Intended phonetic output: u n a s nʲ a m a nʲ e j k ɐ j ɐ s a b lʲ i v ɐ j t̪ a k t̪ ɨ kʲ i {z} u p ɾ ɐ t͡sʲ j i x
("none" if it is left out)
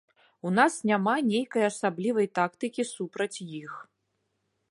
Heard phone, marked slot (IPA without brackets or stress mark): s